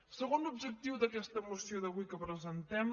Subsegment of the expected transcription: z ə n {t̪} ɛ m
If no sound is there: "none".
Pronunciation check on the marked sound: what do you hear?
t̪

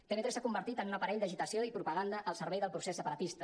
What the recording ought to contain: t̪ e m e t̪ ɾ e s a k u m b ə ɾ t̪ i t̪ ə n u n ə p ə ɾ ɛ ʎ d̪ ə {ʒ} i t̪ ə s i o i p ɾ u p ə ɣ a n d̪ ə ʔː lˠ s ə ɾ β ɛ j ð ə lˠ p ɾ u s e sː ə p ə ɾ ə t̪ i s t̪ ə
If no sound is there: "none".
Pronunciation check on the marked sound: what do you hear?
ʒ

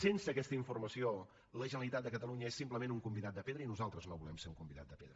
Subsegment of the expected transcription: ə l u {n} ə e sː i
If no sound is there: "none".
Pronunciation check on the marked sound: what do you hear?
ɲ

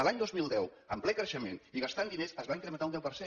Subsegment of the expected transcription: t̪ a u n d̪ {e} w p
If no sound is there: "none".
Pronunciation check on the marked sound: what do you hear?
ɛ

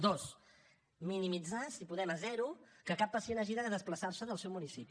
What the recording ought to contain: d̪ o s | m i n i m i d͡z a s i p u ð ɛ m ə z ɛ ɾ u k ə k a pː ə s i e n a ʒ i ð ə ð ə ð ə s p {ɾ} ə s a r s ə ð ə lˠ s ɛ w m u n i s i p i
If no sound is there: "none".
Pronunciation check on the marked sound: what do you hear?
l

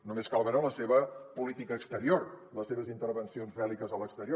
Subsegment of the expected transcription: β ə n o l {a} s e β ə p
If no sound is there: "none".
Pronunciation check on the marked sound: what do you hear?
ə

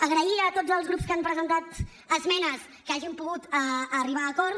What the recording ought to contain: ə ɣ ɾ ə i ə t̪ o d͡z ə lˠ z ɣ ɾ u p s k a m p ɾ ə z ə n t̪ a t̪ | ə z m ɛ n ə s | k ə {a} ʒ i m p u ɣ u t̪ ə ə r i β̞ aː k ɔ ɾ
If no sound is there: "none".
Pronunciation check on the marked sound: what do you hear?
a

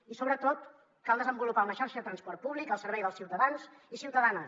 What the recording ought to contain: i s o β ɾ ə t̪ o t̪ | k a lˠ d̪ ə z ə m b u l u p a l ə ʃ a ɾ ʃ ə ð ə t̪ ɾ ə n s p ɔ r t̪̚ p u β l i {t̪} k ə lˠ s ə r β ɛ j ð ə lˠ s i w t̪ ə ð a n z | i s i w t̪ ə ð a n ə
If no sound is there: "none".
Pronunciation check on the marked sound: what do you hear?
none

